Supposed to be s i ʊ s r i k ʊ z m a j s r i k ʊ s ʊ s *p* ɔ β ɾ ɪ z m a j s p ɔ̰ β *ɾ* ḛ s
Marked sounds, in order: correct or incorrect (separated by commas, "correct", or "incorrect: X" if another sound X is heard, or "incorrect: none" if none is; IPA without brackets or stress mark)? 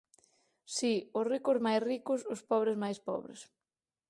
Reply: correct, correct